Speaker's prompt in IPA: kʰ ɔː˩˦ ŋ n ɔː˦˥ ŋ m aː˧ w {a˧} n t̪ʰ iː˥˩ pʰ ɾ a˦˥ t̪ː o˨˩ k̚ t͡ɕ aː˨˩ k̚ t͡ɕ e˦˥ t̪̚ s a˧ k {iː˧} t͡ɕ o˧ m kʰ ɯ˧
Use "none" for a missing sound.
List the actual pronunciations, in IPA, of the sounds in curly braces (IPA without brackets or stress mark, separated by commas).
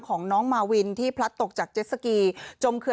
i˧, iː˧